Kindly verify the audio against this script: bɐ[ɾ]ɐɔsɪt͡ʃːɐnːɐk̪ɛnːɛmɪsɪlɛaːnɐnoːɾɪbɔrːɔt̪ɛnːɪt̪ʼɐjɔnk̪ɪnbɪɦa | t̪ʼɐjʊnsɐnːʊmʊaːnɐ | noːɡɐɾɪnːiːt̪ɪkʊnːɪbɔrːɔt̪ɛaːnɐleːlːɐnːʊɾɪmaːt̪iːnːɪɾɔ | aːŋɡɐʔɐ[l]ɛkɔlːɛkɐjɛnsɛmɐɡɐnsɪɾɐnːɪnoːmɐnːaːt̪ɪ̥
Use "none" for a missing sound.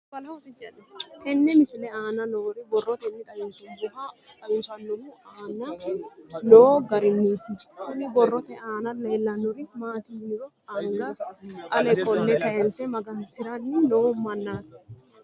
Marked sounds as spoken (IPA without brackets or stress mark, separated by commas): l, l